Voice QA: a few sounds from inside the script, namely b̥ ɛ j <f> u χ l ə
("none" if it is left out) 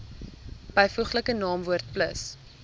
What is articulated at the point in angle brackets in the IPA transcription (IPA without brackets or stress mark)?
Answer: f